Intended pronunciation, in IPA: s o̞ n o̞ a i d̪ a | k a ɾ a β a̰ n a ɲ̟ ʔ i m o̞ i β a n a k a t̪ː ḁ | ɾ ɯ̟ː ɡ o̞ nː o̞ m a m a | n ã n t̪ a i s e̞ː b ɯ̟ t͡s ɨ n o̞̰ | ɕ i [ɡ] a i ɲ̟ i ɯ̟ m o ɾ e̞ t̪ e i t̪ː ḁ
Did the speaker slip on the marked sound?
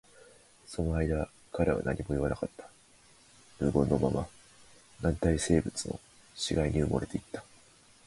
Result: no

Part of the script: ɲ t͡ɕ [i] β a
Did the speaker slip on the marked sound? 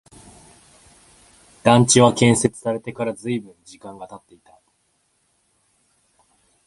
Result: no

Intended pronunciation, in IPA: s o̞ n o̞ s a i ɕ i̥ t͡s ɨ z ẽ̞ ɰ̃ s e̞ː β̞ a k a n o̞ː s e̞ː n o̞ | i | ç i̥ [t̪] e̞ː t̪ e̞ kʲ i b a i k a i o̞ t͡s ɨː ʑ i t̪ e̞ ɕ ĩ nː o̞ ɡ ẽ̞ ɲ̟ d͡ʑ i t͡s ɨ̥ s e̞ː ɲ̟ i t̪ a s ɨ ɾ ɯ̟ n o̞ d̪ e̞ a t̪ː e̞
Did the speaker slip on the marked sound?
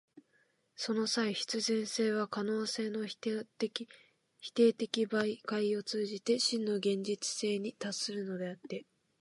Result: no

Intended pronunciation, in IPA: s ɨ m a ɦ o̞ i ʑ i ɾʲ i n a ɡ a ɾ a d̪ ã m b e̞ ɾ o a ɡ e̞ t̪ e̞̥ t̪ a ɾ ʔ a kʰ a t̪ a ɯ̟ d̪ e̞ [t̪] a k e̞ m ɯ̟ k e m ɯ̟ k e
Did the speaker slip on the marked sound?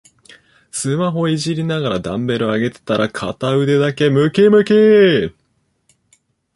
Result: yes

